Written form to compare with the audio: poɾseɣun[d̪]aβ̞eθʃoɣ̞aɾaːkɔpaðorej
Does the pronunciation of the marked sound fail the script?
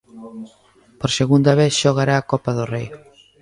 no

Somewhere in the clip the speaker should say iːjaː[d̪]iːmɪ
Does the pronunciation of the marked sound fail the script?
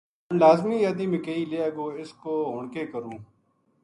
no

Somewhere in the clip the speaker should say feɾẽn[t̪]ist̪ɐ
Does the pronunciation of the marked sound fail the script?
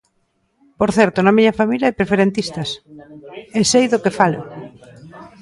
no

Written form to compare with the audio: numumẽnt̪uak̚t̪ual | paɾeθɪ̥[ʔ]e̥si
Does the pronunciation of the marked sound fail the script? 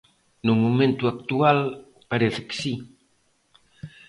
yes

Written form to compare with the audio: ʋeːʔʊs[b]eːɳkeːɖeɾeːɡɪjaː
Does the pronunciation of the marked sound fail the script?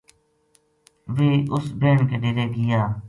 no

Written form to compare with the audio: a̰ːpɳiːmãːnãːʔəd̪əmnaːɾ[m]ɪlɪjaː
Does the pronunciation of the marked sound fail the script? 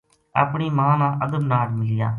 no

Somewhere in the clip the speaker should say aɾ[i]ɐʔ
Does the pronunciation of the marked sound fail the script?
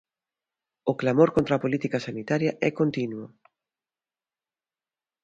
yes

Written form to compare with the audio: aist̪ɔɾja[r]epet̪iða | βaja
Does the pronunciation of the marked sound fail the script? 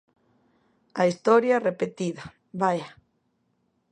no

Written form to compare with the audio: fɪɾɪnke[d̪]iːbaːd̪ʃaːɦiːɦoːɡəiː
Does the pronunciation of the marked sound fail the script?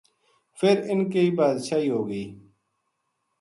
yes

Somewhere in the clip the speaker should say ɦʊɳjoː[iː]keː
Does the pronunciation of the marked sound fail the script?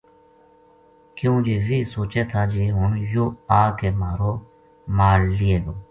yes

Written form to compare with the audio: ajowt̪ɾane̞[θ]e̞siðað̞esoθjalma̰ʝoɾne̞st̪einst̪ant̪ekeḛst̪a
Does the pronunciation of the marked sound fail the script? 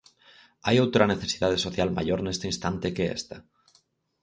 no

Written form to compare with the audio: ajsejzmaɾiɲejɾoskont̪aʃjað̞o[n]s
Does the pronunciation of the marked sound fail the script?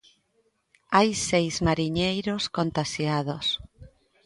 yes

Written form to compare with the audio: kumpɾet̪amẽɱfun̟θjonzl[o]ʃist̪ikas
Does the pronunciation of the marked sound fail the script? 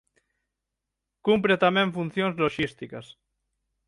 no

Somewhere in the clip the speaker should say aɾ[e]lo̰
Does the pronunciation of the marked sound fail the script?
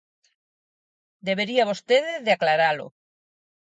yes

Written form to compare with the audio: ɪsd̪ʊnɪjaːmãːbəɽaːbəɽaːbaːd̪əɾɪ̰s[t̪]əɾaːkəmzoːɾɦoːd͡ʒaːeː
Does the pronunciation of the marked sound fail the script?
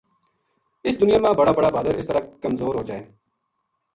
no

